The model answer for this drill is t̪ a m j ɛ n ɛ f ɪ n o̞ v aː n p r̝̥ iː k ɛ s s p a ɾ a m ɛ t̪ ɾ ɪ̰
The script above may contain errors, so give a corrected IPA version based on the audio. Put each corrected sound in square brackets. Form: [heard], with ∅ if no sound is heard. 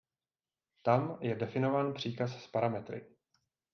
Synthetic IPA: t̪ a m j ɛ [d] ɛ f ɪ n o̞ v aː n p r̝̥ iː k [a] s s p a ɾ a m ɛ t̪ ɾ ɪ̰